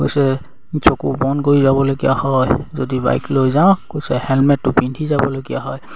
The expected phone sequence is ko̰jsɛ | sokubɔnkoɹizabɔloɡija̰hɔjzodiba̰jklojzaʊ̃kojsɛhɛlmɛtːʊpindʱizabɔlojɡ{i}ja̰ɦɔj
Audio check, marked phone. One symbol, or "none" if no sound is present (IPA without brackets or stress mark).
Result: i